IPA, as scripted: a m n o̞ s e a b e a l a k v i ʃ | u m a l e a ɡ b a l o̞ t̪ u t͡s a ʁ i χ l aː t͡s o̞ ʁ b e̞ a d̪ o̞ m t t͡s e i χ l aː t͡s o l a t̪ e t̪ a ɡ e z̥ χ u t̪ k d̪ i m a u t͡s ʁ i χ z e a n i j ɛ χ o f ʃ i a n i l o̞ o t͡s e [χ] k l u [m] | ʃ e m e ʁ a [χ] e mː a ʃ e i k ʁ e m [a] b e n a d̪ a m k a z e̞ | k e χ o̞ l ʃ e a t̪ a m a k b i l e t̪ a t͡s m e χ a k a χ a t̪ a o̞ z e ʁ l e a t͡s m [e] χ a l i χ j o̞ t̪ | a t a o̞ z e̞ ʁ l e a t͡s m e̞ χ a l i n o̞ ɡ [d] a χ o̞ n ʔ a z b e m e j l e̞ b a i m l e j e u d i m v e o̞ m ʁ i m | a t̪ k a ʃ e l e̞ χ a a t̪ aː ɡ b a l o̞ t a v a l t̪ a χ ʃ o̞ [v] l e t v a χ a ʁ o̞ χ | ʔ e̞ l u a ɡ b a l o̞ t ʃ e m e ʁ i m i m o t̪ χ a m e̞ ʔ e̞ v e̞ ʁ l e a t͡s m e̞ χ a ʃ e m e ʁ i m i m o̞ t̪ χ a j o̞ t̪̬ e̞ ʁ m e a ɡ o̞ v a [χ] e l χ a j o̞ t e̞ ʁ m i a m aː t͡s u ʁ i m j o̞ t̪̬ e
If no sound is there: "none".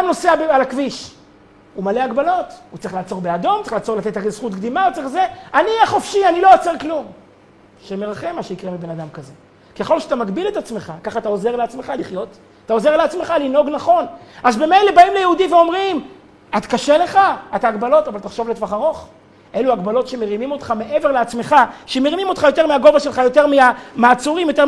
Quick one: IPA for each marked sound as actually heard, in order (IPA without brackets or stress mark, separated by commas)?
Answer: ʁ, m, χ, i, e, n, v, ʃ